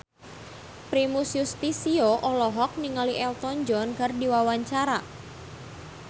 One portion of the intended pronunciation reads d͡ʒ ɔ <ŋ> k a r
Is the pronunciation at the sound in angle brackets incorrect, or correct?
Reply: incorrect